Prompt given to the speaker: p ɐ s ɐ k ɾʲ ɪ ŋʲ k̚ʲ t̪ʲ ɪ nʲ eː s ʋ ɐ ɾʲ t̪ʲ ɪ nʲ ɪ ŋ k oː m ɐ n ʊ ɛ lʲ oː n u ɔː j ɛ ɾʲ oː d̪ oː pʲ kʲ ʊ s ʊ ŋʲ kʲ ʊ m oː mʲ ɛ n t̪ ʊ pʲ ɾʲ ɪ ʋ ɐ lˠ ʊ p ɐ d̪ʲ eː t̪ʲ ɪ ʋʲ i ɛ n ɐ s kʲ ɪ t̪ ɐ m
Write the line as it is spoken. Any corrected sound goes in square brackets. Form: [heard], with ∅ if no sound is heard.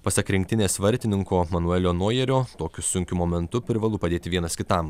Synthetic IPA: p ɐ s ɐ k ɾʲ ɪ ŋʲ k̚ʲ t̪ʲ ɪ nʲ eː s ʋ ɐ ɾʲ t̪ʲ ɪ nʲ ɪ ŋ k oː m ɐ n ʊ ɛ lʲ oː n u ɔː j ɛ ɾʲ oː [t̪] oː [∅] kʲ ʊ s ʊ ŋʲ kʲ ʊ m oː mʲ ɛ n t̪ ʊ pʲ ɾʲ ɪ ʋ ɐ lˠ ʊ p ɐ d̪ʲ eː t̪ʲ ɪ ʋʲ i ɛ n ɐ s kʲ ɪ t̪ ɐ m